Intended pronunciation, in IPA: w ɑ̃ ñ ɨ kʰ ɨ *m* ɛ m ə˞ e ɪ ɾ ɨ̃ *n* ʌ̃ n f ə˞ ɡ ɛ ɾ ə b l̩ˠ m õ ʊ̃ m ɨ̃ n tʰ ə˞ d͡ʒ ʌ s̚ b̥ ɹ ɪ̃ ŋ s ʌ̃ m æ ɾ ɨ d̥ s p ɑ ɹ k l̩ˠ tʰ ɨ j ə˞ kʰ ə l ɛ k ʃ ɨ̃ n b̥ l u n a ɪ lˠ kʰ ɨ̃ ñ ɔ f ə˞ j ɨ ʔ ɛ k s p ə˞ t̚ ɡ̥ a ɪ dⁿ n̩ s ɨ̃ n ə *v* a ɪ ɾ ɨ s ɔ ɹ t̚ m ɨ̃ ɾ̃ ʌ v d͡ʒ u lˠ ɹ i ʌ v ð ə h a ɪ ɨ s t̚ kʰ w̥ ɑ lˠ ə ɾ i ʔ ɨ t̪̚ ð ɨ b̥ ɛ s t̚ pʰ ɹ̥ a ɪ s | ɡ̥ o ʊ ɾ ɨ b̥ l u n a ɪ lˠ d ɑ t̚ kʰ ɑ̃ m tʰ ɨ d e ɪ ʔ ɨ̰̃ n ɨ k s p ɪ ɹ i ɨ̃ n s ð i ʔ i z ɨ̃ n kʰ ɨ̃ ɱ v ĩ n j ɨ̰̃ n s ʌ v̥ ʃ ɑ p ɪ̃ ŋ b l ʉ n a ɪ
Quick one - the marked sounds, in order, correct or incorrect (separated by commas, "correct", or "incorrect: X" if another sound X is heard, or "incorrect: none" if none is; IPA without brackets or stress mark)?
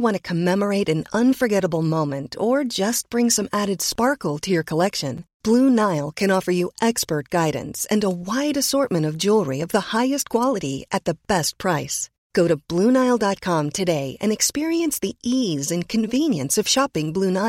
correct, correct, incorrect: w